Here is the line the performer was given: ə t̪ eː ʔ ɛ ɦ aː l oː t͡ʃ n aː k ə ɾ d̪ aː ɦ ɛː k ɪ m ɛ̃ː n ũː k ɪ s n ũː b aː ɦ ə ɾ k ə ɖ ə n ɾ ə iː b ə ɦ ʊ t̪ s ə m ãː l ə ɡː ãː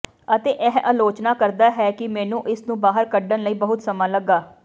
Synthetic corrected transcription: ə t̪ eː ʔ ɛ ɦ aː l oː t͡ʃ n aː k ə ɾ d̪ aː ɦ ɛː k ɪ m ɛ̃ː n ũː ʔ ɪ s n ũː b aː ɦ ə ɾ k ə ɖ ə n l ə iː b ə ɦ ʊ t̪ s ə m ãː l ə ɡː aː